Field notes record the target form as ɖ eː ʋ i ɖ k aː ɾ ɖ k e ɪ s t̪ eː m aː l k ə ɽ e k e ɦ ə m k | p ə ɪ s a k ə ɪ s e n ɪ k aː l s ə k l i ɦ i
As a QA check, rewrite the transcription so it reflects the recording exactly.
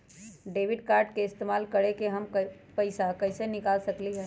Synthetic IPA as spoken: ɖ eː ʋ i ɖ k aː ɾ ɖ k e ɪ s t̪ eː m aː l k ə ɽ e k e ɦ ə m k | p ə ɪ s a k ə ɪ s e n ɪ k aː l s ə k l i ɦ ɛ